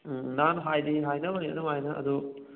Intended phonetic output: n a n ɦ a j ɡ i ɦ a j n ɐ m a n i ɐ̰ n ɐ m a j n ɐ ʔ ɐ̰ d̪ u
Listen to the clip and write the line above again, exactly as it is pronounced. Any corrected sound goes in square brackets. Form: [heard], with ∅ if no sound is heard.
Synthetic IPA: n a n ɦ a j [d] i ɦ a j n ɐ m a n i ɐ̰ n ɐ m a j n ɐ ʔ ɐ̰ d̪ u

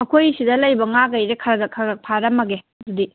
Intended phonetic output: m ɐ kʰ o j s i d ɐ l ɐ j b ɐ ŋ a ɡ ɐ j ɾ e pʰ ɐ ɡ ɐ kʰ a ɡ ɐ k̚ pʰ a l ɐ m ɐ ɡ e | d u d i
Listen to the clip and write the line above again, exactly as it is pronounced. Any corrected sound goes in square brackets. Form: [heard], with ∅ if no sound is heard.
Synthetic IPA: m ɐ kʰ o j s i d ɐ l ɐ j b ɐ ŋ a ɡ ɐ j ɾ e [kʰ] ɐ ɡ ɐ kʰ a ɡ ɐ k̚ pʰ a [ɾ] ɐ m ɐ ɡ e | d u d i

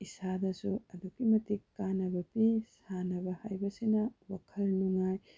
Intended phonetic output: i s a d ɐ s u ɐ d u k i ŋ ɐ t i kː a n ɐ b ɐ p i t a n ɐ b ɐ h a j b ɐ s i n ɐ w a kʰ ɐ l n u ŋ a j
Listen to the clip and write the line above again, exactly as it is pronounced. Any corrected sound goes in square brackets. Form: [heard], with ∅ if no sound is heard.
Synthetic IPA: i s a d ɐ s u ɐ d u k i [m] ɐ t i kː a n ɐ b ɐ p i [s] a n ɐ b ɐ h a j b ɐ s i n ɐ w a kʰ ɐ l n u ŋ a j

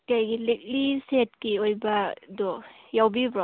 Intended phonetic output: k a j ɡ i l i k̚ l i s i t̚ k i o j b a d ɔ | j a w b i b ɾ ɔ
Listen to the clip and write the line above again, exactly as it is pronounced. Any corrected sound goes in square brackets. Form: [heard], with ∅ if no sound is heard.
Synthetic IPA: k a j ɡ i l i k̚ l i s [e] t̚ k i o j b a d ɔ | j a w b i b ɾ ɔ

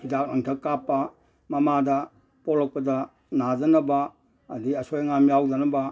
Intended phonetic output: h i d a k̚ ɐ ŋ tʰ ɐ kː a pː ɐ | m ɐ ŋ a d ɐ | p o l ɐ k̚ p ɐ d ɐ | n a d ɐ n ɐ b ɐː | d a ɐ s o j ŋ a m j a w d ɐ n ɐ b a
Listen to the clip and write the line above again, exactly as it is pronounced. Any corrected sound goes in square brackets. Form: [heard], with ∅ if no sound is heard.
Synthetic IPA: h i d a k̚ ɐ ŋ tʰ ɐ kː a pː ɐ | m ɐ [m] a d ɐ | p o l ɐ k̚ p ɐ d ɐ | n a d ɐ n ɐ b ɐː | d [i] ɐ s o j ŋ a m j a w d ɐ n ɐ b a

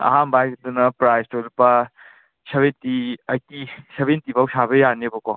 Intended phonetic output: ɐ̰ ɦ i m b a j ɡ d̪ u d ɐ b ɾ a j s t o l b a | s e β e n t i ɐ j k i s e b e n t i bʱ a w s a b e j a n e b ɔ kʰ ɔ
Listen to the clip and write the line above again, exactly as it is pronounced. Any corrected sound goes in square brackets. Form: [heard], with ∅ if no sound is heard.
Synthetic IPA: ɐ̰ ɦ [a] m b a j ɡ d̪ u [n] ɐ [p] ɾ a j s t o l [p] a | s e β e n t i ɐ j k i s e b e n t i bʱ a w s a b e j a n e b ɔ [k] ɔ

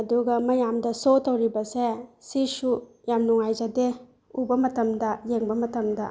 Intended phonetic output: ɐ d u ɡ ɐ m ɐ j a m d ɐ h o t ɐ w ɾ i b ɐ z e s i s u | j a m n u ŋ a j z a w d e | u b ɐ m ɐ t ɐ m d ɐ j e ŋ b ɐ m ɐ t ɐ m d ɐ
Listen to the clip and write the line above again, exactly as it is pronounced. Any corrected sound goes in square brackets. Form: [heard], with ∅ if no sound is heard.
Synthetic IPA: ɐ d u ɡ ɐ m ɐ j a m d ɐ [s] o t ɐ w ɾ i b ɐ [s] e s i s u | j a m n u ŋ a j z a [∅] d e | u b ɐ m ɐ t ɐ m d ɐ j e ŋ b ɐ m ɐ t ɐ m d ɐ

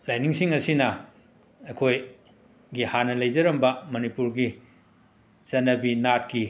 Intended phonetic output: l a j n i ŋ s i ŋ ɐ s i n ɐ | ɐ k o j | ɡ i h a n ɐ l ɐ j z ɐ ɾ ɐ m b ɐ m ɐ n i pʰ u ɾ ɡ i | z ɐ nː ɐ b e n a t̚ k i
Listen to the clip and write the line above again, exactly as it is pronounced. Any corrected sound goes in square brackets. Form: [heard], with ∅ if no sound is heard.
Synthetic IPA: l a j n i ŋ s i ŋ ɐ s i n ɐ | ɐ [kʰ] o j | ɡ i h a n ɐ l ɐ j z ɐ ɾ ɐ m b ɐ m ɐ n i [p] u ɾ ɡ i | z ɐ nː ɐ b [i] n a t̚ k i

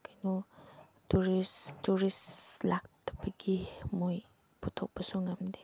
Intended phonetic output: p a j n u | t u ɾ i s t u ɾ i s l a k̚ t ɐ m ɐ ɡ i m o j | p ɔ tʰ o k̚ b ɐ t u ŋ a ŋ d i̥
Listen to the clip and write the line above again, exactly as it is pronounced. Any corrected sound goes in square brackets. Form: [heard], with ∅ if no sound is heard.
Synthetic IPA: [k] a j n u | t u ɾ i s t u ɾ i s l a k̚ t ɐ [b] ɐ ɡ i m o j | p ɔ tʰ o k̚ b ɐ [s] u ŋ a [m] d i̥

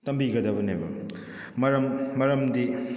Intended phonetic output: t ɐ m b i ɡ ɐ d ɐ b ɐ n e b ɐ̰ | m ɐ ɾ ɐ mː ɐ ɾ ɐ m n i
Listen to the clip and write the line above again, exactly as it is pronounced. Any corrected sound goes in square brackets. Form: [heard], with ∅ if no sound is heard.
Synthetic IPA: t ɐ m b i ɡ ɐ d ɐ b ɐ n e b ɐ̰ | m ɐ ɾ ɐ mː ɐ ɾ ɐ m [d] i

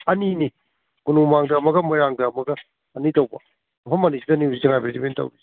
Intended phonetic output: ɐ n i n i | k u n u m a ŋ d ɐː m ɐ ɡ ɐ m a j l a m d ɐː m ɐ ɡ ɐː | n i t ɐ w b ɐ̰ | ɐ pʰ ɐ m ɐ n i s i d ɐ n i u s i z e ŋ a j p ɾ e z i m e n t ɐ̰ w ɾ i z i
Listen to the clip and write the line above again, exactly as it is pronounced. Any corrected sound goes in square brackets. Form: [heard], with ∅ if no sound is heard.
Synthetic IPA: ɐ n i n i | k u n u m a ŋ d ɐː m ɐ ɡ ɐ m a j [ɾ] a [ŋ] d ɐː m ɐ ɡ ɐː | n i t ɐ w b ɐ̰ | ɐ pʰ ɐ m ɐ n i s i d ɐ n i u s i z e ŋ a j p ɾ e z i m e n t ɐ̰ w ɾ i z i

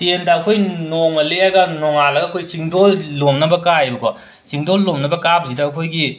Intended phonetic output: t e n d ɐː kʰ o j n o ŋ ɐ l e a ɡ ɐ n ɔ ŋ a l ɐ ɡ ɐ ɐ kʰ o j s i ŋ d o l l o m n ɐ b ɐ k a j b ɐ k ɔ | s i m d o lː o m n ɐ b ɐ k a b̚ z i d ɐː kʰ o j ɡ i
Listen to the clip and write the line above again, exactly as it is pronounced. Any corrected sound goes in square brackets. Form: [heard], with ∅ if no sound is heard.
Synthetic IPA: t e n d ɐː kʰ o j n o ŋ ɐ l e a ɡ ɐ n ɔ ŋ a l ɐ ɡ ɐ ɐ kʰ o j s i ŋ d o l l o m n ɐ b ɐ k a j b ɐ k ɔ | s i [ŋ] d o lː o m n ɐ b ɐ k a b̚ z i d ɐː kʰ o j ɡ i

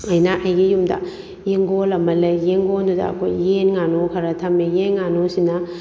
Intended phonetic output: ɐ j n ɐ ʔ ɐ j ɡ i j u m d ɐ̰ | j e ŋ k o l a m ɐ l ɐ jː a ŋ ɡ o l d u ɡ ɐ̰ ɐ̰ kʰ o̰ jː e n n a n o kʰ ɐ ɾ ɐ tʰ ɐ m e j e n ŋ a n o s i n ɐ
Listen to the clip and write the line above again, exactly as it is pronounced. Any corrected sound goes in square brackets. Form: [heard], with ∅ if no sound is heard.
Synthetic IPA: ɐ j n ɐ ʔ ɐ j ɡ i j u m d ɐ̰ | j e ŋ [ɡ] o l [ɐ] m ɐ l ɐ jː [e] ŋ ɡ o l d u [d] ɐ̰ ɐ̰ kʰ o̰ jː e n [ŋ] a n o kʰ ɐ ɾ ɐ tʰ ɐ m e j e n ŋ a n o s i n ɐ

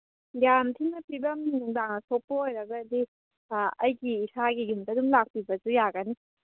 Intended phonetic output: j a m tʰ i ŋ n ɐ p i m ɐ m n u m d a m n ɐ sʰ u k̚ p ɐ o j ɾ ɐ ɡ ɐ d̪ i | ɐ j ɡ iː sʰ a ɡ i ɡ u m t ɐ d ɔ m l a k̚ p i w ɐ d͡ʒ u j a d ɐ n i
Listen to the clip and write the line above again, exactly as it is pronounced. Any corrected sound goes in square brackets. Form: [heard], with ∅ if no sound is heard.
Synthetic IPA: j a m tʰ i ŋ n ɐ p i [b] ɐ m n u [ŋ] d a [ŋ] n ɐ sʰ [o] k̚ p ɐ o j ɾ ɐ ɡ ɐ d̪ i | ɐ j ɡ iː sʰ a ɡ i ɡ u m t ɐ d [u] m l a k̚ p i [b] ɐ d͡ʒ u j a [ɡ] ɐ n i

